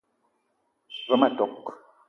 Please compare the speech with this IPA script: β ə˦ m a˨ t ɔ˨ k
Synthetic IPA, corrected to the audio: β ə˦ m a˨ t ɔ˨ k